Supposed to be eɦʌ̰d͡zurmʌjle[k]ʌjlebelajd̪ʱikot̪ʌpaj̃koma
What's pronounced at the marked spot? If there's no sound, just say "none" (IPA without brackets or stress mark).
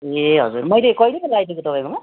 k